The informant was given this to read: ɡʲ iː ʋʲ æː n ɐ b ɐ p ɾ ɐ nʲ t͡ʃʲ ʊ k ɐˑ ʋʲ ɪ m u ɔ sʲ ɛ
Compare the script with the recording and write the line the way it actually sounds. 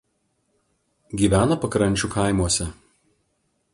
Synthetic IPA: ɡʲ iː ʋʲ æː n ɐ p ɐ k ɾ ɐ nʲ t͡ʃʲ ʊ k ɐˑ ɪ m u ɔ sʲ ɛ